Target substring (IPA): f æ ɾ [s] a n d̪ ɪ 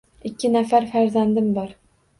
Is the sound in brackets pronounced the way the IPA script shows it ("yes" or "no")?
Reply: no